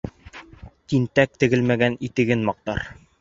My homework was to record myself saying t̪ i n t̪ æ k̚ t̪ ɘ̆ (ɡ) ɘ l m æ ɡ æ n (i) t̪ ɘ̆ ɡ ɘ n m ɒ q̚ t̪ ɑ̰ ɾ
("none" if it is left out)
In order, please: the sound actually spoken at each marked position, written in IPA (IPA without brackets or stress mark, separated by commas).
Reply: ɡ, i